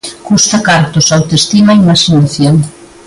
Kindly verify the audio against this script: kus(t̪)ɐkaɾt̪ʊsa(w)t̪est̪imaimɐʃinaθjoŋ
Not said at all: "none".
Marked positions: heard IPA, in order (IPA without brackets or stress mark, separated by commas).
t̪, w